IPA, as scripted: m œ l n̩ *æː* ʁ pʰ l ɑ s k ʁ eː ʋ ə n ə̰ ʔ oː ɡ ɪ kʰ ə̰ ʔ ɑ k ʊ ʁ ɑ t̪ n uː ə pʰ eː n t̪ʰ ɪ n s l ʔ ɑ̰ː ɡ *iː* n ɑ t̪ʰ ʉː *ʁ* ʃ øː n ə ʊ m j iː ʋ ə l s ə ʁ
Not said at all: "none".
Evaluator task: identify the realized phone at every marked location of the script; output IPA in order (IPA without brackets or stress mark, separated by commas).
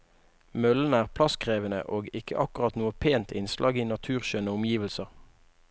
æː, iː, ʁ